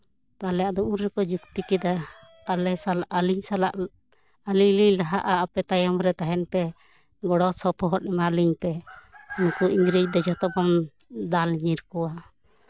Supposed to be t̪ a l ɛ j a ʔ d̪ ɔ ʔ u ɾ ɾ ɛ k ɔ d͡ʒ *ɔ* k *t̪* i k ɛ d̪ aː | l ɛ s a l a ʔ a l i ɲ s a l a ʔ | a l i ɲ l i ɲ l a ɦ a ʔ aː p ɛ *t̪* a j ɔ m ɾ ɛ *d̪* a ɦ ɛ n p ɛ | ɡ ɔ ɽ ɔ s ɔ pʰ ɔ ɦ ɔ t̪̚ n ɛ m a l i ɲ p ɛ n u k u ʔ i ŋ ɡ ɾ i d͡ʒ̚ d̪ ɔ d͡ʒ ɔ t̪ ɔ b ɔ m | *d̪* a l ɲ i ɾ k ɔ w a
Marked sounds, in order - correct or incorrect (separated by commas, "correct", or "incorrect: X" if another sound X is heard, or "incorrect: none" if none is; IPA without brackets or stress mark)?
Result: incorrect: u, correct, correct, incorrect: t̪, correct